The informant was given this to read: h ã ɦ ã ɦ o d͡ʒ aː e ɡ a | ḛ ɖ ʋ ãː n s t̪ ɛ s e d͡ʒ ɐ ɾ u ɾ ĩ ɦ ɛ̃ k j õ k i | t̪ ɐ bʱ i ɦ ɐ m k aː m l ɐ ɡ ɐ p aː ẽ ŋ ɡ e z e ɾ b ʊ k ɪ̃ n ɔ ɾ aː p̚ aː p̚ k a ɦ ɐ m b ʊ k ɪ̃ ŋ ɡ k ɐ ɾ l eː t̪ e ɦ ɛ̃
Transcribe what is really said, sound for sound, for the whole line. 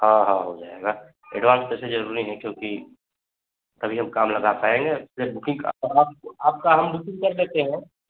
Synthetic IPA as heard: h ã ɦ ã ɦ o d͡ʒ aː e ɡ a | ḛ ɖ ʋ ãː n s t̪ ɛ s e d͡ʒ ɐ ɾ u ɾ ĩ ɦ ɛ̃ k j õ k i | t̪ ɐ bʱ i ɦ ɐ m k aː m l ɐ ɡ a p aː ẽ ŋ ɡ e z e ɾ b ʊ k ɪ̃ ŋ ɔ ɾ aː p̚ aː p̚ k a ɦ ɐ m b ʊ k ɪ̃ ŋ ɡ k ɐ ɾ l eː t̪ e ɦ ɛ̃